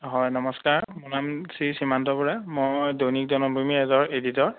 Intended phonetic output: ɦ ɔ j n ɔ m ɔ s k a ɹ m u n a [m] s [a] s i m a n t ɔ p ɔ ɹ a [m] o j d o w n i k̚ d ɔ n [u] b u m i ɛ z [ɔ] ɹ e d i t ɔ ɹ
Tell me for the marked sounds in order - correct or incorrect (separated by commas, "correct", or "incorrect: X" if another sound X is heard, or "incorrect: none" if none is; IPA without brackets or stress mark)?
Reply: correct, incorrect: i, correct, incorrect: ɔ, correct